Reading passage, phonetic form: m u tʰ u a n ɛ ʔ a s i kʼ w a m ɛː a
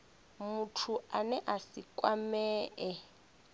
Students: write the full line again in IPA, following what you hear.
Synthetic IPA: m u tʰ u a n ɛ ʔ a s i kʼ w a m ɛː ɛ